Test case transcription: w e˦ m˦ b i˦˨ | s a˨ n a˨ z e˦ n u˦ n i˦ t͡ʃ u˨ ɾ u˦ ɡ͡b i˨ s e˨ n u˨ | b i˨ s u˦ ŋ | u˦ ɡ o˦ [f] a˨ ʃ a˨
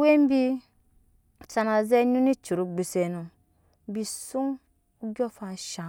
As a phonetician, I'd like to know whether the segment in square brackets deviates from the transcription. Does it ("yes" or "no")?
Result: no